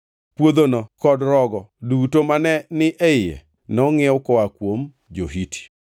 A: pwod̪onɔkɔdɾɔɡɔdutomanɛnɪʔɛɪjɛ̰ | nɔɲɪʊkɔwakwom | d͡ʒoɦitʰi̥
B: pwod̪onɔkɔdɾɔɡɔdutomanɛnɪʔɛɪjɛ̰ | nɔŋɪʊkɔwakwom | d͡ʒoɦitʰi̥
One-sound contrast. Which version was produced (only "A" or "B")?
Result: B